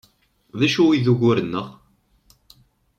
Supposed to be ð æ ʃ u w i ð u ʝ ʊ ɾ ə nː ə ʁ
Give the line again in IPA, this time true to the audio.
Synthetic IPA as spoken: ð æ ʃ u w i ð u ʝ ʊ ɾ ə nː ə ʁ